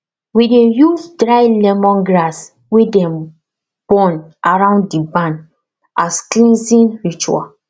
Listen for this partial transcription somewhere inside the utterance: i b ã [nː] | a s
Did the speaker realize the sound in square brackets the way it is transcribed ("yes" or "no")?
no